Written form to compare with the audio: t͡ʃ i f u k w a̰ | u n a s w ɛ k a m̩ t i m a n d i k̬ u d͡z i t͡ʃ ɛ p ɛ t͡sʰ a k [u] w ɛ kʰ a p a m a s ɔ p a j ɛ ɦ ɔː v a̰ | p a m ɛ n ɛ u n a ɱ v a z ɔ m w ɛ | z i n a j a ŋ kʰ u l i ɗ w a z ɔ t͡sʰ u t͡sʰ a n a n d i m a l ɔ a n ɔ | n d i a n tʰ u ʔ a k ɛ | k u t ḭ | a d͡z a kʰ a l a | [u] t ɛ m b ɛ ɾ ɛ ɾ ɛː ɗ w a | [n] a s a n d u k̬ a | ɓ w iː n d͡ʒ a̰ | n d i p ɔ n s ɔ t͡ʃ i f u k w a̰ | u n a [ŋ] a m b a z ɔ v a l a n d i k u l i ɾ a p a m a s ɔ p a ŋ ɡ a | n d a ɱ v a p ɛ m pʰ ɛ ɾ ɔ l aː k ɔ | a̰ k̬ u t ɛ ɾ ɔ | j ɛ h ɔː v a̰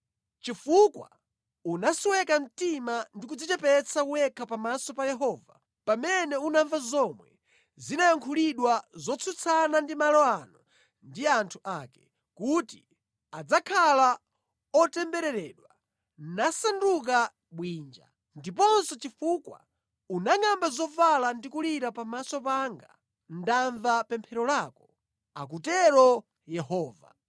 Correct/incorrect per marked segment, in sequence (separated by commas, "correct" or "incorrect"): correct, incorrect, correct, correct